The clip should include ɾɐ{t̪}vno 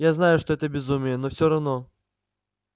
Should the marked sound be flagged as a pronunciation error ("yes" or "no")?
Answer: yes